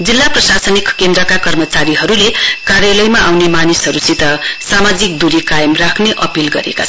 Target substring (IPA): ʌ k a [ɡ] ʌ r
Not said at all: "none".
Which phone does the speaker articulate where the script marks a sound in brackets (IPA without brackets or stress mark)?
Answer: k